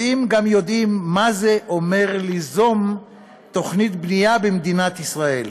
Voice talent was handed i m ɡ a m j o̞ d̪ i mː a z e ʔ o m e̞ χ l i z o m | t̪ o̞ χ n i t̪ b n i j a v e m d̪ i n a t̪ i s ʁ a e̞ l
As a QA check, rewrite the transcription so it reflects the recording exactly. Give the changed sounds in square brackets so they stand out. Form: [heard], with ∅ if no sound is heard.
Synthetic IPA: i m ɡ a m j o̞ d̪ i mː a z e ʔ o m e̞ [ʁ] l i z o m | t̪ o̞ χ n i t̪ b n i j a [b] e m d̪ i n a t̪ i s ʁ a e̞ l